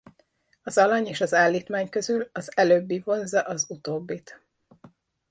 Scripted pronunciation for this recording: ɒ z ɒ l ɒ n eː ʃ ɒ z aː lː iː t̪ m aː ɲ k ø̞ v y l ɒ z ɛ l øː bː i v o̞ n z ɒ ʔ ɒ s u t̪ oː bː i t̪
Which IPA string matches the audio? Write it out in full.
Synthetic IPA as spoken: ɒ z ɒ l ɒ ɲ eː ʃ ɒ z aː lː iː t̪ m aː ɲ k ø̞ z y l ɒ z ɛ l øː bː i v o̞ n z ɒ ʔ ɒ z u t̪ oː bː i t̪

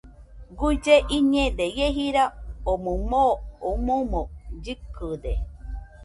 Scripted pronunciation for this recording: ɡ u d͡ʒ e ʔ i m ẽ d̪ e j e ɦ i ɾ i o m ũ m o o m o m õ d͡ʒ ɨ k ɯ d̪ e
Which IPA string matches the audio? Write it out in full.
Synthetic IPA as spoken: ɡ u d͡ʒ e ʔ i ɲ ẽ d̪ e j e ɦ i ɾ a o m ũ m o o m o m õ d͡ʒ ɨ k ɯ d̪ e

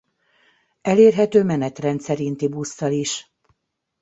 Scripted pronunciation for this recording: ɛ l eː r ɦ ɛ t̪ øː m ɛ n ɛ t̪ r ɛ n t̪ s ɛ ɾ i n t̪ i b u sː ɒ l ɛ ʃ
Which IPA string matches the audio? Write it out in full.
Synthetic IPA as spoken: ɛ l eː r ɦ ɛ t̪ øː m ɛ n ɛ t̪ r ɛ n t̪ s ɛ ɾ i n t̪ i b u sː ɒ l i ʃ

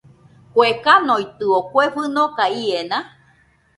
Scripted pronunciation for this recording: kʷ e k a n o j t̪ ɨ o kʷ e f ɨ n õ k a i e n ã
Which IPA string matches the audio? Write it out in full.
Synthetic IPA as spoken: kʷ e k a n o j t̪ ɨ o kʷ e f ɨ n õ k a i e n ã

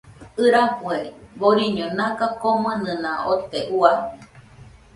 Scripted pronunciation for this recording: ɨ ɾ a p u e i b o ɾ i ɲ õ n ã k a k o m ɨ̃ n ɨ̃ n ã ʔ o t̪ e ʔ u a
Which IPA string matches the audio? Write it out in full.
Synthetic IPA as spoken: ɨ ɾ a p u e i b o ɾ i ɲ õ n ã k a k o m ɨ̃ n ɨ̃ n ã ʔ o t̪ e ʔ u a

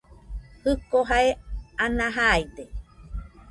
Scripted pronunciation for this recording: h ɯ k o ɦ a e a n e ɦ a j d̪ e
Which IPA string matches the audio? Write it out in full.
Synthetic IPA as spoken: h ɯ k o ɦ a e a n a ɦ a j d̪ e

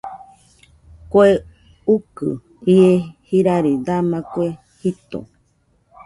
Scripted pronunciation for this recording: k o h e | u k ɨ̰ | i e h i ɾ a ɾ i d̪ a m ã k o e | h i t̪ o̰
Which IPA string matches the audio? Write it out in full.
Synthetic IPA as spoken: k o e | u k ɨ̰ | i e h i ɾ a ɾ i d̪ a m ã k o e | h i t̪ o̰

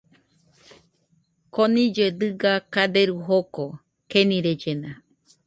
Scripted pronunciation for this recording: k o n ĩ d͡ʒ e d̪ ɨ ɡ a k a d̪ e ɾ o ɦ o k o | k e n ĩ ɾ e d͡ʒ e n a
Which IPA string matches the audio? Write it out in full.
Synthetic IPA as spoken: k o n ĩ d͡ʒ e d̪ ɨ ɡ a k a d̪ e ɾ u ɦ o k o | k e n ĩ ɾ e d͡ʒ e n a

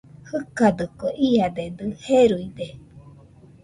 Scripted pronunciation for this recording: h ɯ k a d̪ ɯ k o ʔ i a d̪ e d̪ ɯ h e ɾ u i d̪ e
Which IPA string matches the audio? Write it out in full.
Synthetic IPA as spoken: h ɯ k a d̪ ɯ k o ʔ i a d̪ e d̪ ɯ h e ɾ u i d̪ e

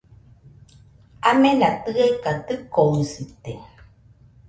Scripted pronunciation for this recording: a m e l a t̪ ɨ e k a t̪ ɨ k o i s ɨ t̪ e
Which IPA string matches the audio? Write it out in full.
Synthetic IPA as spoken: a m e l a t̪ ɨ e k a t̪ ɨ k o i s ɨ t̪ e

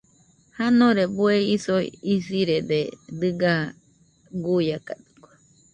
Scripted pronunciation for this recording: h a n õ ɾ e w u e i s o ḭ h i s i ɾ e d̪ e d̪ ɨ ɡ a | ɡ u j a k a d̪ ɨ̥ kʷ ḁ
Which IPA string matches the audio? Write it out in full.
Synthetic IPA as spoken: h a n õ ɾ e b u e i s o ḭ i s i ɾ e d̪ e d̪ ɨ ɡ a | ɡ u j a k a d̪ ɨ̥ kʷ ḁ

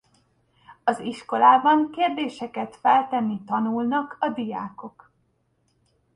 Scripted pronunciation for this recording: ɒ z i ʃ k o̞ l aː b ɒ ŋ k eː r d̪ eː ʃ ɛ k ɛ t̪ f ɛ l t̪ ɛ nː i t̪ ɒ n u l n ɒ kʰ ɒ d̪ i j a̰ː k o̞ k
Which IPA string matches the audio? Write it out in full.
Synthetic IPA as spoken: ɒ z i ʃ k o̞ l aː b ɒ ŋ k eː r d̪ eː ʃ ɛ k ɛ t̪ f ɛ l t̪ ɛ nː i t̪ ɒ n u l n ɒ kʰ ɒ d̪ i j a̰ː k o̞ k

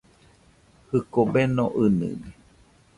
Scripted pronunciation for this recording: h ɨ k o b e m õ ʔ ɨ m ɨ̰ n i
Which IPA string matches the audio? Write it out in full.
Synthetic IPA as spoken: h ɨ k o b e n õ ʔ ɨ n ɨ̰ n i

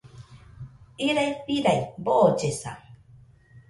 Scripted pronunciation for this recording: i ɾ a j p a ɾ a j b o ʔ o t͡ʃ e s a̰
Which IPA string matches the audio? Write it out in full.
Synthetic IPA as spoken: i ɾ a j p i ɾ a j b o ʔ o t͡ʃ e s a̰

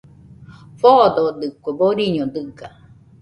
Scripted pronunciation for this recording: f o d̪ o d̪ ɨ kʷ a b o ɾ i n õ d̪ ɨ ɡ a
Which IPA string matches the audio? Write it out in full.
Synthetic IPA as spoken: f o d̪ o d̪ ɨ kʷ e b o ɾ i ɲ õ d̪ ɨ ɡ a

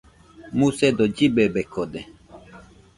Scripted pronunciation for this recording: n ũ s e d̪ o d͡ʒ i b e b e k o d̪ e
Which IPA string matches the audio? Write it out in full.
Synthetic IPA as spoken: m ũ s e d̪ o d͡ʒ i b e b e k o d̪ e

